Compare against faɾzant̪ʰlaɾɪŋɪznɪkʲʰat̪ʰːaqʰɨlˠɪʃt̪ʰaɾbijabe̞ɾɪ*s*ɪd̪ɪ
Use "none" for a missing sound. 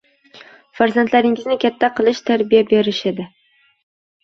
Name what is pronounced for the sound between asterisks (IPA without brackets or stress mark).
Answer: ʃ